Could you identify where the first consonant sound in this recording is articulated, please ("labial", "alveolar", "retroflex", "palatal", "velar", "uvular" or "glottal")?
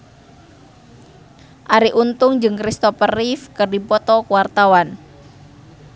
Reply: glottal